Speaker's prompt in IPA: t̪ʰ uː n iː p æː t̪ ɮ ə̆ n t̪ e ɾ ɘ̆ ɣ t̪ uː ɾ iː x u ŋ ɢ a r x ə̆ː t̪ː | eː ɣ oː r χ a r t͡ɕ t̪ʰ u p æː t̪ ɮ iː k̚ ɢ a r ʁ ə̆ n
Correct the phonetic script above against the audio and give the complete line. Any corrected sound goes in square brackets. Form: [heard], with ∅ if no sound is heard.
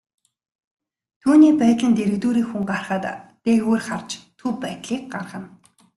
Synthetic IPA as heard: t̪ʰ uː n iː p æː t̪ ɮ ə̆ n t̪ e ɾ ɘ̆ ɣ t̪ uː ɾ iː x u ŋ ɢ a r [χ] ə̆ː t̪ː | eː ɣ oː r χ a r t͡ɕ t̪ʰ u p æː t̪ ɮ iː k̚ ɢ a r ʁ ə̆ n